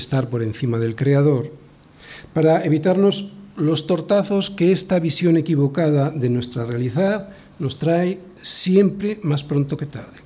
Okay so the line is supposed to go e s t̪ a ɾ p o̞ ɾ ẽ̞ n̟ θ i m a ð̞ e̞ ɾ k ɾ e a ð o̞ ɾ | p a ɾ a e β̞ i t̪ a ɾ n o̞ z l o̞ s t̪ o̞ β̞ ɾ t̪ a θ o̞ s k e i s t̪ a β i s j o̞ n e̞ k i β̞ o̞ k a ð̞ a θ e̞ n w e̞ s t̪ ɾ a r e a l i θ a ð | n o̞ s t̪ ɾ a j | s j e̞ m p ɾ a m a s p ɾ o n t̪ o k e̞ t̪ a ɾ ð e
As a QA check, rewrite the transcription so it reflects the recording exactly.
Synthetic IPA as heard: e s t̪ a ɾ p o̞ ɾ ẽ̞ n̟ θ i m a ð̞ e̞ l k ɾ e a ð o̞ ɾ | p a ɾ a e β̞ i t̪ a ɾ n o̞ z l o̞ s t̪ o̞ ɾ t̪ a θ o̞ s k e e s t̪ a β i s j o̞ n e̞ k i β̞ o̞ k a ð̞ a ð e̞ n w e̞ s t̪ ɾ a r e a l i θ a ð | n o̞ s t̪ ɾ a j | s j e̞ m p ɾ e m a s p ɾ o n t̪ o k e̞ t̪ a ɾ ð e